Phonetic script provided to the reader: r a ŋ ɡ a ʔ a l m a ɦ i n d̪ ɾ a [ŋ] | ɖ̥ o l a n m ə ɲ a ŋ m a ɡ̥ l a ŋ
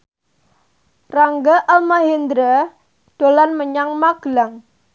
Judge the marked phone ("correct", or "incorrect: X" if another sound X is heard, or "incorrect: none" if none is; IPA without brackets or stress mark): incorrect: none